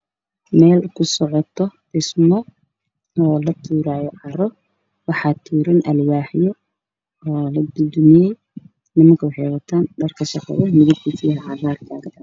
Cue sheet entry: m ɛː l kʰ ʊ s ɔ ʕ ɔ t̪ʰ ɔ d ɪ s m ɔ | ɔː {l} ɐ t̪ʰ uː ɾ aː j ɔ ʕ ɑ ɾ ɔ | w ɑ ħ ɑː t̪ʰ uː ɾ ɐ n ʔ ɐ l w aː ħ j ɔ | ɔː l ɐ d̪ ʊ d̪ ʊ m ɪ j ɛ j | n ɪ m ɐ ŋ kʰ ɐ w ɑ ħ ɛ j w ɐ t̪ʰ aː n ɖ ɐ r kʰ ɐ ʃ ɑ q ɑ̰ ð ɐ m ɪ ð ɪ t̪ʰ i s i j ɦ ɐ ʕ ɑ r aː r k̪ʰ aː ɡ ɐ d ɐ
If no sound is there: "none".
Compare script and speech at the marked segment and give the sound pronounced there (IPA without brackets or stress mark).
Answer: l